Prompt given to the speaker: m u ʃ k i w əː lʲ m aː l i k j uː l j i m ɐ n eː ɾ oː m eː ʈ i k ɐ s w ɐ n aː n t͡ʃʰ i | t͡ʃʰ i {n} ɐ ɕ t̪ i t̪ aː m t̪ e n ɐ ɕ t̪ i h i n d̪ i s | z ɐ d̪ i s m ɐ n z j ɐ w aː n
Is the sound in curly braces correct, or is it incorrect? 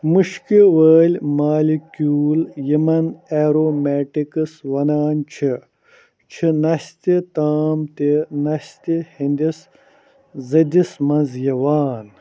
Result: correct